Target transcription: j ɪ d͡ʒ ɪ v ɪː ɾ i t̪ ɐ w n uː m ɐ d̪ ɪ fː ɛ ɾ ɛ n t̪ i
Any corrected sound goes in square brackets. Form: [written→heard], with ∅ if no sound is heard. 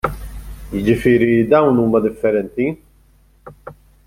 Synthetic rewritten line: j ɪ d͡ʒ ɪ [v→f] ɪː ɾ i [t̪→d̪] ɐ w n uː m ɐ d̪ ɪ fː ɛ ɾ ɛ n t̪ i